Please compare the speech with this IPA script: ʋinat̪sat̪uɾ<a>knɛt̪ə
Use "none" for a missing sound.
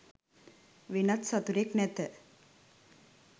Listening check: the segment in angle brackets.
e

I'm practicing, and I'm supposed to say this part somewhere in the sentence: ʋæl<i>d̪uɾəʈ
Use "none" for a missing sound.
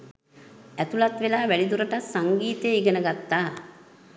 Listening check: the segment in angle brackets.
i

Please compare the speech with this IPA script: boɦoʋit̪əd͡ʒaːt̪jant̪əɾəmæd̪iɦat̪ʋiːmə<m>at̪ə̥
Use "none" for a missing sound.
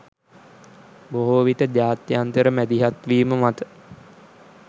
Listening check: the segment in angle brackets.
m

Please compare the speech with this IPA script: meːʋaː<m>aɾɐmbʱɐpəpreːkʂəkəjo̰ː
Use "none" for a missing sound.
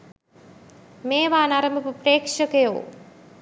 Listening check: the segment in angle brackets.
n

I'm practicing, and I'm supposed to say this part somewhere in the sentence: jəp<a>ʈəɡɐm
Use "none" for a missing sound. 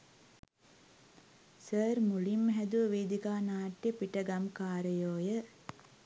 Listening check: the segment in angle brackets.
i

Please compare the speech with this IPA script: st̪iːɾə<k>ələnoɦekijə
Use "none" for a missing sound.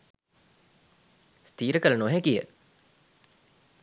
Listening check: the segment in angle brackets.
k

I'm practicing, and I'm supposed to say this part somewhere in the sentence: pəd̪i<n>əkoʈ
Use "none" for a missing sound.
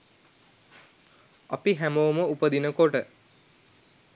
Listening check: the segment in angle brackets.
n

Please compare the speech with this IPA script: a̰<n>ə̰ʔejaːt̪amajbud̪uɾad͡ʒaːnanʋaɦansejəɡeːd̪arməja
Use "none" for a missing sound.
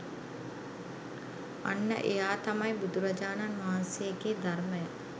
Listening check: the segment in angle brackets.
nː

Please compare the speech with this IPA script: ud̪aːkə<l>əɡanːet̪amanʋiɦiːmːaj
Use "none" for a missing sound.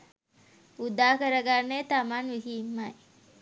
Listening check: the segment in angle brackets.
ɾ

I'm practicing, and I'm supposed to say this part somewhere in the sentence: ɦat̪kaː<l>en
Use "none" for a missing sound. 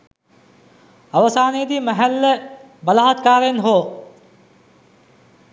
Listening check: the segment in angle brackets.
ɾ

